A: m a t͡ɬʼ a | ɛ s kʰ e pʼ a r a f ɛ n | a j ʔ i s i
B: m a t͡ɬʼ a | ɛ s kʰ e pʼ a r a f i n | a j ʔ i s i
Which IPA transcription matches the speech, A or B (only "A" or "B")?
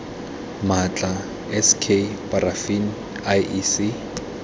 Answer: B